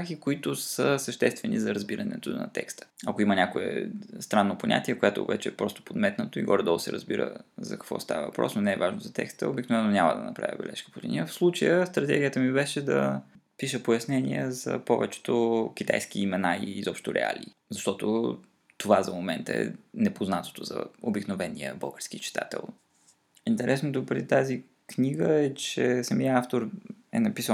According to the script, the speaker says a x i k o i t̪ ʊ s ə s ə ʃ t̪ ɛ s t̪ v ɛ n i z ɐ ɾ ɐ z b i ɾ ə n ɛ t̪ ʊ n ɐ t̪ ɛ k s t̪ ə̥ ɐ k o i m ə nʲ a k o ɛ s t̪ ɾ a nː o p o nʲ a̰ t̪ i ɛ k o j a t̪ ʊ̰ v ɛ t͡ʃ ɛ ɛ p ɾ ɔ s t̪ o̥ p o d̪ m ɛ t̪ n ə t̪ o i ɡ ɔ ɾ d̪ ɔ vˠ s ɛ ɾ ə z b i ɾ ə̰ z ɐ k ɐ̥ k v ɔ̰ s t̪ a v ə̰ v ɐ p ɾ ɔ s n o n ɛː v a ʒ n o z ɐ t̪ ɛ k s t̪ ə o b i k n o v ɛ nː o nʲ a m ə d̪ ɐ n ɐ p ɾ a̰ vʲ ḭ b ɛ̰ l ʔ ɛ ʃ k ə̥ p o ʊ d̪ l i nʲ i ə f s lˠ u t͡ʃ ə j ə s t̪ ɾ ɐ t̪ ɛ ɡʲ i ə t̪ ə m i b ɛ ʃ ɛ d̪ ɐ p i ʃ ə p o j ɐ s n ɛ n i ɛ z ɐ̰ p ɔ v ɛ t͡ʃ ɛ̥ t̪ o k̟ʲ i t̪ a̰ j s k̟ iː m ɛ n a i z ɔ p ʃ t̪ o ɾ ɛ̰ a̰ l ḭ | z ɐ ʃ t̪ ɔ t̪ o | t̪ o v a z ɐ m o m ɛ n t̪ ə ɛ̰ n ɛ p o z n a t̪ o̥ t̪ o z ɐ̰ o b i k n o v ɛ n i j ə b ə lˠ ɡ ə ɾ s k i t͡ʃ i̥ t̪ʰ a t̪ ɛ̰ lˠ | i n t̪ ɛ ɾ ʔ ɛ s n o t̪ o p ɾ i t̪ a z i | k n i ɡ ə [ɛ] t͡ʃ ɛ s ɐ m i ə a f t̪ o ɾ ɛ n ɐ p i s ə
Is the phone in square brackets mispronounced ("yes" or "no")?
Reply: no